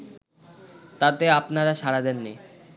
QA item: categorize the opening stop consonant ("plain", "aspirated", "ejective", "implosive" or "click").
plain